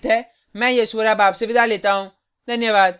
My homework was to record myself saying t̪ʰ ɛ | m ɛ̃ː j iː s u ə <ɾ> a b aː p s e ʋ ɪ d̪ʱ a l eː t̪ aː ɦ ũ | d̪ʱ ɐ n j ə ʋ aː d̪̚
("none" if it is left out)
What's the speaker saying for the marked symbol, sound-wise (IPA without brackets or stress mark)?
ɾ